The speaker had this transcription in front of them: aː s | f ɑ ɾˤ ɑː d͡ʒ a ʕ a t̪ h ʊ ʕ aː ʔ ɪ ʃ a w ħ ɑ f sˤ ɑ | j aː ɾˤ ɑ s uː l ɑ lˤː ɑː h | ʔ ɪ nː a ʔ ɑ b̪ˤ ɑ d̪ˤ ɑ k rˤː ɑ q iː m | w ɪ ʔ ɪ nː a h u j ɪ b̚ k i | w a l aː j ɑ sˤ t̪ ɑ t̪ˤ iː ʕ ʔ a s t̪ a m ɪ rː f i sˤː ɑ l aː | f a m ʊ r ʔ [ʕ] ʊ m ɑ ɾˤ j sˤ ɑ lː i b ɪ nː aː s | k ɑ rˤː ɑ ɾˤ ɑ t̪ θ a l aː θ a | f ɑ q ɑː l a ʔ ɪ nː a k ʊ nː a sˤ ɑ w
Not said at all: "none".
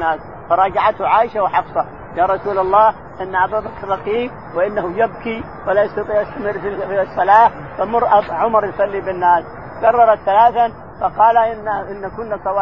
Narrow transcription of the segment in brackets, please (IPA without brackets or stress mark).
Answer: ʕ